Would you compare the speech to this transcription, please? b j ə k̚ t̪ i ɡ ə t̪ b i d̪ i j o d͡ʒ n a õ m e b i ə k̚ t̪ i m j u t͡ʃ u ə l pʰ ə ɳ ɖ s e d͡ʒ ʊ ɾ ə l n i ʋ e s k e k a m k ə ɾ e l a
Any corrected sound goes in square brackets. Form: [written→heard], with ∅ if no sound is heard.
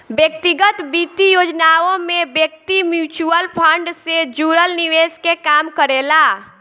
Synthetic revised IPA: b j ə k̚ t̪ i ɡ ə t̪ b i [d̪→t̪] i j o d͡ʒ n a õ m e b [i→j] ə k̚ t̪ i m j u t͡ʃ u ə l pʰ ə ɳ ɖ s e d͡ʒ [ʊ→u] ɾ ə l n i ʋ e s k e k a m k ə ɾ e l a